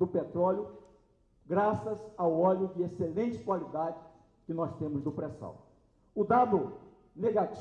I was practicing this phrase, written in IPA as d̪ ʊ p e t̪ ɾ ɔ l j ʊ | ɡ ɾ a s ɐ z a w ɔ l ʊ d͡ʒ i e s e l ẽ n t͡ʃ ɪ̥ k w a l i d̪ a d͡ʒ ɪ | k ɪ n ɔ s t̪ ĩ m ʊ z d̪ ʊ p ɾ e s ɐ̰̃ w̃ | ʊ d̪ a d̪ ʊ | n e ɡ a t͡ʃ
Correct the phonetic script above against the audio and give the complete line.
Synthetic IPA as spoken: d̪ ʊ p e t̪ ɾ ɔ l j ʊ | ɡ ɾ a s ɐ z a w ɔ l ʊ d͡ʒ ɪ e s e l ẽ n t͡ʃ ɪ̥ k w a l i d̪ a d͡ʒ ɪ | k ɪ n ɔ s t̪ ẽ m ʊ z d̪ ʊ p ɾ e s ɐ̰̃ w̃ | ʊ d̪ a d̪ ʊ | n e ɡ a t͡ʃ